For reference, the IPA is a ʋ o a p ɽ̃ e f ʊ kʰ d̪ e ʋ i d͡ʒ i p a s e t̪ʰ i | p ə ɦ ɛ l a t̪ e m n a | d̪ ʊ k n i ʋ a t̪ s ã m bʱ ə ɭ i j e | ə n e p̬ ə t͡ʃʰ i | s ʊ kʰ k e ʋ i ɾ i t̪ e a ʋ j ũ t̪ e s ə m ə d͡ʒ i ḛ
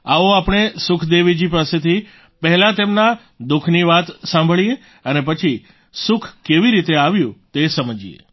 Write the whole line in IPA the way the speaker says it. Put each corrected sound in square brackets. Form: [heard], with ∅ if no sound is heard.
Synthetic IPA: a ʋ o a p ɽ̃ e [s] ʊ kʰ d̪ e ʋ i d͡ʒ i p a s e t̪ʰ i | p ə ɦ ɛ l a t̪ e m n a | d̪ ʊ [kʰ] n i ʋ a t̪ s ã m bʱ ə ɭ i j e | ə n e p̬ ə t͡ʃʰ i | s ʊ kʰ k e ʋ i ɾ i t̪ e a ʋ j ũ t̪ e s ə m ə d͡ʒ i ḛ